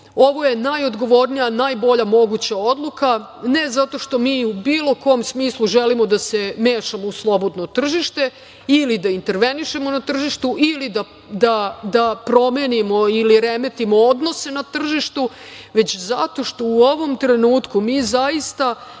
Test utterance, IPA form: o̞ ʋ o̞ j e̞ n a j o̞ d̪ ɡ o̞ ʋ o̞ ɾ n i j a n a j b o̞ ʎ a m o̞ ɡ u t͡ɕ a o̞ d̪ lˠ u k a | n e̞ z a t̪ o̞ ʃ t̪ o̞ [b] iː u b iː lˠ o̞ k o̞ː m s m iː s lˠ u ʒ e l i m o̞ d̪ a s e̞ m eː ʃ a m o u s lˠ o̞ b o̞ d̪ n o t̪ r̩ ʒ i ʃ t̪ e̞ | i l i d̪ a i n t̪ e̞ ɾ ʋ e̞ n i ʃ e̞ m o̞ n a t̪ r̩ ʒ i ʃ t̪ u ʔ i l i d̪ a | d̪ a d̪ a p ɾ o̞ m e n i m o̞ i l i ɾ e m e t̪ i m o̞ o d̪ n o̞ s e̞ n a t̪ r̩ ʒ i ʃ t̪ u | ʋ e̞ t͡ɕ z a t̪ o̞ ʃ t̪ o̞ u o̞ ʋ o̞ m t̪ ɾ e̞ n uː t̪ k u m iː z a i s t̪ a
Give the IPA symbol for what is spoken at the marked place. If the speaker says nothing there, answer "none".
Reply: m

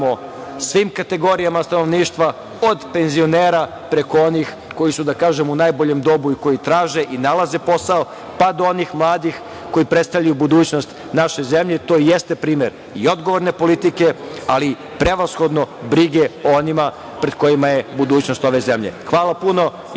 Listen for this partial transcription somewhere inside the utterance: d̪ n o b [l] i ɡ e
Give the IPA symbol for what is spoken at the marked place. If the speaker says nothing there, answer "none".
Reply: ɾ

